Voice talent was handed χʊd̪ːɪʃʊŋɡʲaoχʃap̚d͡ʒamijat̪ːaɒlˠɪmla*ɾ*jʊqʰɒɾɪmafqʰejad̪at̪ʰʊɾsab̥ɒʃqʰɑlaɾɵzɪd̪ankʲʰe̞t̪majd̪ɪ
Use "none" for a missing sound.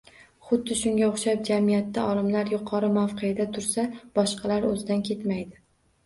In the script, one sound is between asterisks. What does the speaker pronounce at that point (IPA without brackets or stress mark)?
ɾ